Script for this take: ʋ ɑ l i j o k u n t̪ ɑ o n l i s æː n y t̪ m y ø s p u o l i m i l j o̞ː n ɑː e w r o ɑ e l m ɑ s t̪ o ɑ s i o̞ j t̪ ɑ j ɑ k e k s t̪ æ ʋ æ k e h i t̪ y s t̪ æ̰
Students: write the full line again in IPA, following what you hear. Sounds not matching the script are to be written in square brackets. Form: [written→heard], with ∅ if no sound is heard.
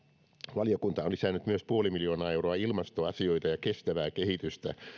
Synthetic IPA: ʋ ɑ l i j o k u n t̪ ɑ o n l i s æː n y t̪ m y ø s p u o l i m i l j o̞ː n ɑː e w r o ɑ [e→i] l m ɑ s t̪ o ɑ s i o̞ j t̪ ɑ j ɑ k e [k→∅] s t̪ æ ʋ [æ→æː] k e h i t̪ y s t̪ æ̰